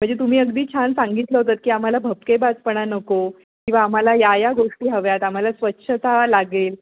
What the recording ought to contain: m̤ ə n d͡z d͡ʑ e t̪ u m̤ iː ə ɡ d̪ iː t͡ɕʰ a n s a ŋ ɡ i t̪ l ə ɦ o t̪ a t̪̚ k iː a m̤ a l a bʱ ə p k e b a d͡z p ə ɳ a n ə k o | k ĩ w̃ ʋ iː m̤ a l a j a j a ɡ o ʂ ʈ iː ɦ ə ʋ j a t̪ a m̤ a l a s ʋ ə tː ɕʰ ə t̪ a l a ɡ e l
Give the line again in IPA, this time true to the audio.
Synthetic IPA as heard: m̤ ə ɳ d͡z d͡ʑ e t̪ u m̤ iː ə ɡ d̪ iː t͡ɕʰ a n s a ŋ ɡ i t̪ l ə ɦ o t̪ a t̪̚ k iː a m̤ a l a bʱ ə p k e b a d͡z p ə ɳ a n ə k o | k ĩ w̃ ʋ aː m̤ a l a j a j a ɡ o ʂ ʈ iː ɦ ə ʋ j a t̪ a m̤ a l a s ʋ ə tː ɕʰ ə t̪ a l a ɡ e l